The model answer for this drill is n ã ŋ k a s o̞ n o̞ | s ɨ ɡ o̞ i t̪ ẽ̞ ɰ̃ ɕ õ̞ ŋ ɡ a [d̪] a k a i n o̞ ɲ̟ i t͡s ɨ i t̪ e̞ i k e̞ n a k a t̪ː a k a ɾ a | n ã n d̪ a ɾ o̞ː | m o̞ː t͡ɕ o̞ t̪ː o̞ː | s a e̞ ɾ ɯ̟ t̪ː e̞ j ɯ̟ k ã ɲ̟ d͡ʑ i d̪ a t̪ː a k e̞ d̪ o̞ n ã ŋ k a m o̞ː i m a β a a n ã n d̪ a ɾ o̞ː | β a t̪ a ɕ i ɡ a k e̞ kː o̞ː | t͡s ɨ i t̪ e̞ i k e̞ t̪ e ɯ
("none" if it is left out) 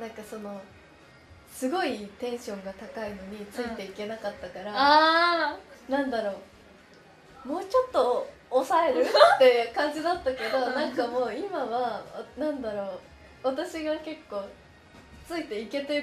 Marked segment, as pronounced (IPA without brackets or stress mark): t̪